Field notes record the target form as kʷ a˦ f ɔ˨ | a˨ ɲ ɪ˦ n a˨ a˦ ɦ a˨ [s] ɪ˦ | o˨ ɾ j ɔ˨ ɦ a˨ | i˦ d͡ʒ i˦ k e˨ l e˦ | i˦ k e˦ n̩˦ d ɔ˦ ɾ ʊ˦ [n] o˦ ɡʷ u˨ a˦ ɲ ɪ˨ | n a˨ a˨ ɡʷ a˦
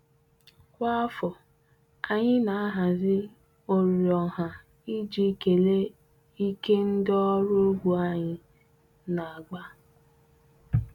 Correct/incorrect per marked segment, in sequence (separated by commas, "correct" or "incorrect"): incorrect, incorrect